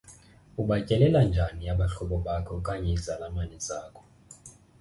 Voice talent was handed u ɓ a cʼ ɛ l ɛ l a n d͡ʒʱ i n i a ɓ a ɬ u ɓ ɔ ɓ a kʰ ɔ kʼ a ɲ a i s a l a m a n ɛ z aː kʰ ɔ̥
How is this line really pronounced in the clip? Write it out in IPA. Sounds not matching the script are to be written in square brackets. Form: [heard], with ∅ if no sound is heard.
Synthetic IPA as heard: u ɓ a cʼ ɛ l ɛ l a n d͡ʒʱ [a] n i a ɓ a ɬ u ɓ ɔ ɓ a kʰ ɔ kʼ a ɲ [ɛ] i [z] a l a m a n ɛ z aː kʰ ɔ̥